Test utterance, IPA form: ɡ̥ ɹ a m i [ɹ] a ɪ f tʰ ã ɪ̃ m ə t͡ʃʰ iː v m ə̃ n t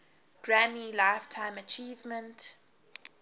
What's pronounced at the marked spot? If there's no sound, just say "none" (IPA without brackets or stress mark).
l